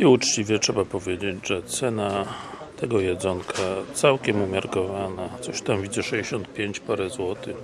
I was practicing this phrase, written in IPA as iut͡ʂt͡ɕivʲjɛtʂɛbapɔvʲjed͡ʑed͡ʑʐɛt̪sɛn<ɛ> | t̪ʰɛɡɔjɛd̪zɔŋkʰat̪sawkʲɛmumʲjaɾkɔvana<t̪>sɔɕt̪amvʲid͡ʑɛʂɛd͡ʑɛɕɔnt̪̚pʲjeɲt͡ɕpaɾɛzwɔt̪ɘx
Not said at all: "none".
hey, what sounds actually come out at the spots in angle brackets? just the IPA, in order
a, t̪

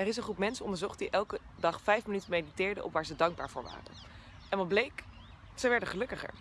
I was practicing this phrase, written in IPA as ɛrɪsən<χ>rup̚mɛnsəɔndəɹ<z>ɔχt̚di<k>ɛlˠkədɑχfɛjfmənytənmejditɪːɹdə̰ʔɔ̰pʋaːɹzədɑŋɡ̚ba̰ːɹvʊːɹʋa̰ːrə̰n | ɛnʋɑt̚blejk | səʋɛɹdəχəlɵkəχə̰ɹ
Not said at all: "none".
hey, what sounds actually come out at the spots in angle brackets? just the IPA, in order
χ, z, ʔ

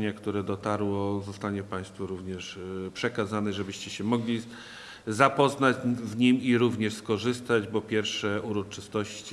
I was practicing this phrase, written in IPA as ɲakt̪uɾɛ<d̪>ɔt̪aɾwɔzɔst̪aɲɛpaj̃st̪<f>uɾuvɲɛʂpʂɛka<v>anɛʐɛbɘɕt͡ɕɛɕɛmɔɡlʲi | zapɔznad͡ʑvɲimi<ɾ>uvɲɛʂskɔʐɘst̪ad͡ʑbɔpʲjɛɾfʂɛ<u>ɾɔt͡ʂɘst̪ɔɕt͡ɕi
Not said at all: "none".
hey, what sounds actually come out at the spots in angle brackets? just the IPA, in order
d̪, f, z, ɾ, u

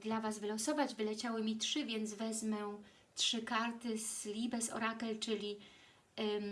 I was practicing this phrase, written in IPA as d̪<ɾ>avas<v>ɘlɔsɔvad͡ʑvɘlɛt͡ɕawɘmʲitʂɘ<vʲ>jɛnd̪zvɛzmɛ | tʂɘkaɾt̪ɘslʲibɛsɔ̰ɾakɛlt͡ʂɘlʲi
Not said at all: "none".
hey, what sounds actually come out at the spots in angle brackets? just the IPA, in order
l, v, vʲ

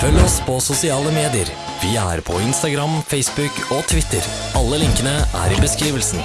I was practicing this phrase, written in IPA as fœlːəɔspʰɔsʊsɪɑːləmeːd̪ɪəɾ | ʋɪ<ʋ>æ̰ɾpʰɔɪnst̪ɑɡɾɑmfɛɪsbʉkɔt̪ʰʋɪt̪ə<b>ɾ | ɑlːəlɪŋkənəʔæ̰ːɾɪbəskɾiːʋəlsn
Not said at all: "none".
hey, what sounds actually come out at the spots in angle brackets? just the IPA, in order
none, none

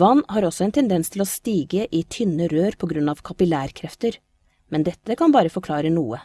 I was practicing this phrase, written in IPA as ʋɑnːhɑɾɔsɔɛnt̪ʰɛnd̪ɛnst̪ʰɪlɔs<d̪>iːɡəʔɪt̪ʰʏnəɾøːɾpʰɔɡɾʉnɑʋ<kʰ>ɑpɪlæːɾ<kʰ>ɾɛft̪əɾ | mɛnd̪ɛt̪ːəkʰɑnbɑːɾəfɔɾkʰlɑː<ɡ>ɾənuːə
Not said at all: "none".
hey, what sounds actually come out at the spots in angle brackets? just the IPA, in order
t̪, kʰ, kʰ, none

